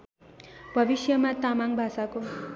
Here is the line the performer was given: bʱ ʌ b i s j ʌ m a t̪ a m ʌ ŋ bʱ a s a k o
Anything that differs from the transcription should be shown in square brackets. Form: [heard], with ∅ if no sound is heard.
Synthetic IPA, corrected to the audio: bʱ ʌ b i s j ʌ m a t̪ a m [a] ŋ bʱ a s a k o